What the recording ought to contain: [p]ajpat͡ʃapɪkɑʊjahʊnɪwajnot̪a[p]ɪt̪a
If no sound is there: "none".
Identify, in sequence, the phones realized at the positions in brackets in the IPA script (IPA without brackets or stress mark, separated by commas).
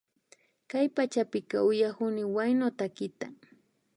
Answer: k, k